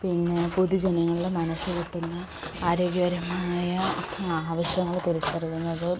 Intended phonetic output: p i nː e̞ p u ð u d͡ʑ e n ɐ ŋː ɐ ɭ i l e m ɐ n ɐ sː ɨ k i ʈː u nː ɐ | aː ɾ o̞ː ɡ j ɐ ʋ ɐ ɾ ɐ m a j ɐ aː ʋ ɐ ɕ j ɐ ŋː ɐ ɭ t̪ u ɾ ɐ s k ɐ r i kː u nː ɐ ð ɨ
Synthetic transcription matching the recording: p i nː e̞ p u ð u d͡ʑ e n ɐ ŋː ɐ ɭ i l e m ɐ n ɐ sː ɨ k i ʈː u nː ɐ | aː ɾ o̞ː ɡ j ɐ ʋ ɐ ɾ ɐ m a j ɐ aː ʋ ɐ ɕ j ɐ ŋː ɐ ɭ t̪ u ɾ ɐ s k ɐ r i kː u nː ɐ ð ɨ